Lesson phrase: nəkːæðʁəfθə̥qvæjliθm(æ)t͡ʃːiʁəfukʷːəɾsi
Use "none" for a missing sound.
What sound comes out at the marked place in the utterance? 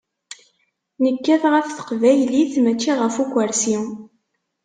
æ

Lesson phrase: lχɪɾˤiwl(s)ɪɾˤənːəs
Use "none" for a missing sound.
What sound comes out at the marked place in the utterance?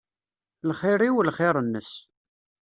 χ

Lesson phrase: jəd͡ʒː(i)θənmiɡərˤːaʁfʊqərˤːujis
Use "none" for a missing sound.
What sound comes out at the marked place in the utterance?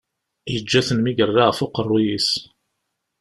æ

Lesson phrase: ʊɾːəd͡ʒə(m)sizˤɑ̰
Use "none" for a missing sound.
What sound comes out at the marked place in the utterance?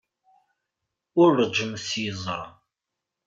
m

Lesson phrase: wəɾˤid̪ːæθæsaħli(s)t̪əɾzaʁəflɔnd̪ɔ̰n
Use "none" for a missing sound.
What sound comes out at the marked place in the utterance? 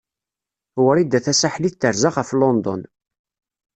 θ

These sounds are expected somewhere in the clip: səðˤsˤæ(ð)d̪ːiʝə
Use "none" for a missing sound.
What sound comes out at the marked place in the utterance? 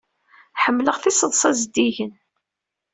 z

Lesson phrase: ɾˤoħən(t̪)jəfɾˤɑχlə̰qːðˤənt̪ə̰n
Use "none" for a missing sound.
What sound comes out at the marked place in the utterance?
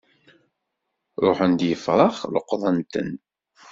d̪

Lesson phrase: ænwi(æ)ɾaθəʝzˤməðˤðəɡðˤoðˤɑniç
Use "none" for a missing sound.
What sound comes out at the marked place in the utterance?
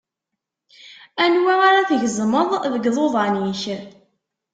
a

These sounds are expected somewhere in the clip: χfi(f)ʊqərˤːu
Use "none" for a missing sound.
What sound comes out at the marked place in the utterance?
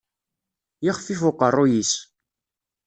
f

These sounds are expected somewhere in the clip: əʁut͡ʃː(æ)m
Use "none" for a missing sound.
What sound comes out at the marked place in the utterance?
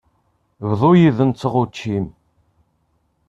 i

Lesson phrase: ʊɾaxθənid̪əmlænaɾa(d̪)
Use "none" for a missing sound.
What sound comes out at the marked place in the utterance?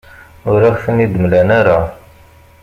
none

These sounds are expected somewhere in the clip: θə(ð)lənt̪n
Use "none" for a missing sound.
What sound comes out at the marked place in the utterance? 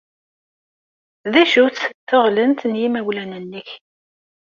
ʁ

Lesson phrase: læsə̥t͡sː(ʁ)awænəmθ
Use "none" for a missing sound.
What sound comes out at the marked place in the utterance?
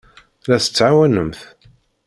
ʕ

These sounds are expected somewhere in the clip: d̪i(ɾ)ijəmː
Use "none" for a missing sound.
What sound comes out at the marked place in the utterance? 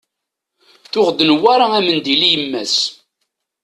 l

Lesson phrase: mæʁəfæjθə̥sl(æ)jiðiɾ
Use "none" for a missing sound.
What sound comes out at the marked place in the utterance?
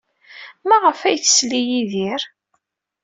i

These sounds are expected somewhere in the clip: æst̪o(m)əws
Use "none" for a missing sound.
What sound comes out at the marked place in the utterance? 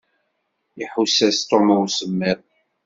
m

